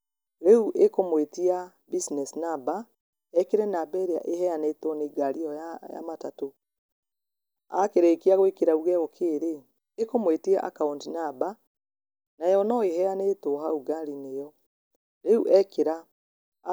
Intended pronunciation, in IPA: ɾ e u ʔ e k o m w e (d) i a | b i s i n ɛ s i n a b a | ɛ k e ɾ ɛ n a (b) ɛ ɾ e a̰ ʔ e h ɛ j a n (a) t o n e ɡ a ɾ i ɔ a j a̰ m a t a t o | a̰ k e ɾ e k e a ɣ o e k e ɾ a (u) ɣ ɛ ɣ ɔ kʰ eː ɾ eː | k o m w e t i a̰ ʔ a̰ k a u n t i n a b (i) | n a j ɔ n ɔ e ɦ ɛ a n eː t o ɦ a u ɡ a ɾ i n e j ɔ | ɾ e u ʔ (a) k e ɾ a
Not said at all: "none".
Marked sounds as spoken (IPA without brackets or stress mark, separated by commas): t, b, e, u, a, ɛ